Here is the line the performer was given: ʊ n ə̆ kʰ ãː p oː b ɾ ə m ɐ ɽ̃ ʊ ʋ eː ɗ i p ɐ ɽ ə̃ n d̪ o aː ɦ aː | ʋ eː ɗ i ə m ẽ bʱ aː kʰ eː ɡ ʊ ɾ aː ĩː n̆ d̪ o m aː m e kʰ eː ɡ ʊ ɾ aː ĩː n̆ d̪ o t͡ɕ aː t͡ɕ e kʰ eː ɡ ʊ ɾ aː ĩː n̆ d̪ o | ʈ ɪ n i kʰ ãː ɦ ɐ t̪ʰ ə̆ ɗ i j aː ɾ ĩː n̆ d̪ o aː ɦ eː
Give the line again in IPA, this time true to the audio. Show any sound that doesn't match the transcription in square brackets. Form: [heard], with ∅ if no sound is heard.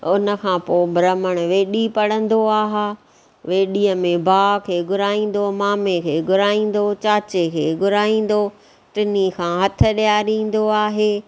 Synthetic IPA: ʊ n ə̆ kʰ ãː p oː b ɾ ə m [ə] ɽ̃ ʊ ʋ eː ɗ i p ɐ ɽ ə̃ n d̪ o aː ɦ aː | ʋ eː ɗ i ə m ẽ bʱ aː kʰ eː ɡ ʊ ɾ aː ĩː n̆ d̪ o m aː m e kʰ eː ɡ ʊ ɾ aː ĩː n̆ d̪ o t͡ɕ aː t͡ɕ e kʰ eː ɡ ʊ ɾ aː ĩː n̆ d̪ o | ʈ ɪ n i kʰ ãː ɦ ɐ t̪ʰ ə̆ ɗ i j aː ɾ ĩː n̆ d̪ o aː ɦ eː

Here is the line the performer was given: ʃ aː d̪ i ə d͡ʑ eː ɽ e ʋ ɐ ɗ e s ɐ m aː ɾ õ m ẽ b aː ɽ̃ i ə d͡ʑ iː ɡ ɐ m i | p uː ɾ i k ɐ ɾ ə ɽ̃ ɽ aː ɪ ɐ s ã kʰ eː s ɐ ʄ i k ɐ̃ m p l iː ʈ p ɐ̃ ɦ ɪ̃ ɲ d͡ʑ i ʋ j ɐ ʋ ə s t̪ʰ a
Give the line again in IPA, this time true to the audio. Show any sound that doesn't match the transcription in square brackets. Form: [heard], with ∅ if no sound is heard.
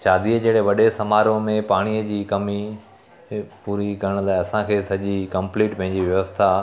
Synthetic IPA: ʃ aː d̪ i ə d͡ʑ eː ɽ e ʋ ɐ ɗ e s ɐ m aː ɾ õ m ẽ [p] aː ɽ̃ i ə d͡ʑ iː [k] ɐ m i | p uː ɾ i k ɐ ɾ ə ɽ̃ [l] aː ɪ ɐ s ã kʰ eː s ɐ ʄ i k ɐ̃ m p l iː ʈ p ɐ̃ ɦ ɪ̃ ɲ d͡ʑ i ʋ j ɐ ʋ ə s t̪ʰ a

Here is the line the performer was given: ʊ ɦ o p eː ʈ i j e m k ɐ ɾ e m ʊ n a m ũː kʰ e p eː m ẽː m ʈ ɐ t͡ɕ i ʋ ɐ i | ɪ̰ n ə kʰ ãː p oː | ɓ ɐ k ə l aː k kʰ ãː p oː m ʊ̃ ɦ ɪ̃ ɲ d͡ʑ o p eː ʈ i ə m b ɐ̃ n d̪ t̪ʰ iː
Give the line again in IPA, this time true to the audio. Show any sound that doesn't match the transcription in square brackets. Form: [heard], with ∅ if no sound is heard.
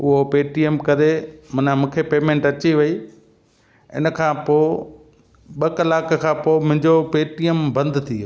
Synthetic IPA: ʊ ɦ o p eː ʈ i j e m k ɐ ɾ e m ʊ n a m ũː kʰ e p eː m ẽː [ɳ] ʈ ɐ t͡ɕ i ʋ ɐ i | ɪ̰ n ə kʰ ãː p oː | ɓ ɐ k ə l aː k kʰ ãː p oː m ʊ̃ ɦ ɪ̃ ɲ d͡ʑ o p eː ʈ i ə m b ɐ̃ n d̪ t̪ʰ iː

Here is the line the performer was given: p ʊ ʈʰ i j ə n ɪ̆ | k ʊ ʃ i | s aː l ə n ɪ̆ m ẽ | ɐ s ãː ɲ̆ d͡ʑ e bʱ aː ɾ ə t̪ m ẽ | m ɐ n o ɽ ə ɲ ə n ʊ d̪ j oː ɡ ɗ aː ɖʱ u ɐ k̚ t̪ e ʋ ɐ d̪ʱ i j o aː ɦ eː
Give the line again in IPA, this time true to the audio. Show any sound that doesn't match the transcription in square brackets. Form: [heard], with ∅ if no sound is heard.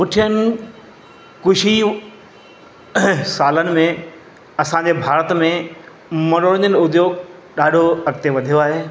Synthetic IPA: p ʊ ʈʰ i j ə n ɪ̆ | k ʊ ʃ i | s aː l ə n ɪ̆ m ẽ | ɐ s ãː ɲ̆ d͡ʑ e bʱ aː ɾ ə t̪ m ẽ | m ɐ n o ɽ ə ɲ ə n ʊ d̪ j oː ɡ ɗ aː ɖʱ [o] ɐ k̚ t̪ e ʋ ɐ d̪ʱ i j o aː ɦ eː

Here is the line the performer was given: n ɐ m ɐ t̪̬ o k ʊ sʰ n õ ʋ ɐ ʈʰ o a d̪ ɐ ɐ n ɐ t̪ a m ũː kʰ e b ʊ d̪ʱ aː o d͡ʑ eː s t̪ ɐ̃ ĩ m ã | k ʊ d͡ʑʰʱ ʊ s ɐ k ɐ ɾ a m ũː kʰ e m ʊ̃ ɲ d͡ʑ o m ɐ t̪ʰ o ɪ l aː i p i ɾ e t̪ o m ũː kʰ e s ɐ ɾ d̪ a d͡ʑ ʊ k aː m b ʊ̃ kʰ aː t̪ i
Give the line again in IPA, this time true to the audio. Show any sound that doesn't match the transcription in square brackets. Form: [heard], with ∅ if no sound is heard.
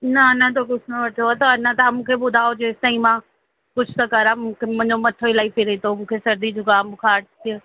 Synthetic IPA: n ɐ [n] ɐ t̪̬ o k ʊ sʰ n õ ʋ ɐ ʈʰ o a [t̪] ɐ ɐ n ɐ t̪ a m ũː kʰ e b ʊ d̪ʱ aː o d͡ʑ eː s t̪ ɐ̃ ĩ m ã | k ʊ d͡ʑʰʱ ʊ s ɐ k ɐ ɾ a m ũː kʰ e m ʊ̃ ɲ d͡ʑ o m ɐ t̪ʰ o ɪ l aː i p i ɾ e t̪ o m ũː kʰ e s ɐ ɾ d̪ [i] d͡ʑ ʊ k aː m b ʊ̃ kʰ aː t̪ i

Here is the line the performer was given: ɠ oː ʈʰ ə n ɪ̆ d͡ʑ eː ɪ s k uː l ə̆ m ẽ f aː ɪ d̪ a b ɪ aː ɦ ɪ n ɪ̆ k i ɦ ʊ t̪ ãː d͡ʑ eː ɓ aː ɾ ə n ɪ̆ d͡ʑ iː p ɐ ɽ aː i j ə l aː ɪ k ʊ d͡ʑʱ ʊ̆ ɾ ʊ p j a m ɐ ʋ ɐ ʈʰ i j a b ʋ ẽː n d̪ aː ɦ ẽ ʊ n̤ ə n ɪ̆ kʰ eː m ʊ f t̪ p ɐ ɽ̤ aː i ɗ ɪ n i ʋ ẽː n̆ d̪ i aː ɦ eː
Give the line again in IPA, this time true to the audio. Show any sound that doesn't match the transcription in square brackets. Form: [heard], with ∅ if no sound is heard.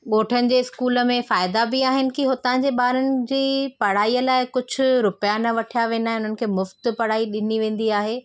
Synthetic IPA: ɠ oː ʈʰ ə n ɪ̆ d͡ʑ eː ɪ s k uː l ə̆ m ẽ f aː ɪ d̪ a b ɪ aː ɦ ɪ n ɪ̆ k i ɦ ʊ t̪ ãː d͡ʑ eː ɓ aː ɾ ə n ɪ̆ d͡ʑ iː p ɐ ɽ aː i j ə l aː ɪ k ʊ d͡ʑʱ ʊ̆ ɾ ʊ p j a [n] ɐ ʋ ɐ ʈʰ i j a [∅] ʋ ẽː n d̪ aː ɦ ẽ ʊ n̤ ə n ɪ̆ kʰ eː m ʊ f t̪ p ɐ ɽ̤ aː i ɗ ɪ n i ʋ ẽː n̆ d̪ i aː ɦ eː

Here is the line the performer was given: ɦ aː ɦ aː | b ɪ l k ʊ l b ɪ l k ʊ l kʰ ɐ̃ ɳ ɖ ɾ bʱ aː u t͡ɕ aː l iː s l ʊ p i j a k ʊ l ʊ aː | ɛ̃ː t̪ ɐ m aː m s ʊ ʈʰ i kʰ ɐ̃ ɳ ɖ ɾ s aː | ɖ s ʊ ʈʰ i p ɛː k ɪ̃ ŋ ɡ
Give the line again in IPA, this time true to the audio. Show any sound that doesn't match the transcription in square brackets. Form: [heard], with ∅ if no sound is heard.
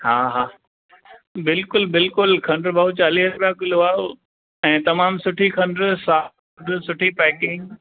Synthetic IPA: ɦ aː ɦ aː | b ɪ l k ʊ l b ɪ l k ʊ l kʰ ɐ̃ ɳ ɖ ɾ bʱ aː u t͡ɕ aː l iː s [ɾ] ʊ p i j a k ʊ l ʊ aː | ɛ̃ː t̪ ɐ m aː m s ʊ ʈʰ i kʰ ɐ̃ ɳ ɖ ɾ s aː | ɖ s ʊ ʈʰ i p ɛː k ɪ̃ ŋ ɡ

